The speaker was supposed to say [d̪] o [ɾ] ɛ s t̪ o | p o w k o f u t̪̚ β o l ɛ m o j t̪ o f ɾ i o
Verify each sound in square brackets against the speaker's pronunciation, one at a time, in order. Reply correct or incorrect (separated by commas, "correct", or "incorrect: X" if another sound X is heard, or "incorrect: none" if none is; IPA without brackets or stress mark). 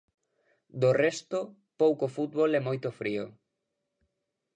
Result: correct, incorrect: r